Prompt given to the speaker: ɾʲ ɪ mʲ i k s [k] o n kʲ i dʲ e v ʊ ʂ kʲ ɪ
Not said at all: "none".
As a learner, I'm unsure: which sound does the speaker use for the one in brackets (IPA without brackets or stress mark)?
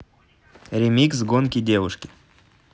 ɡ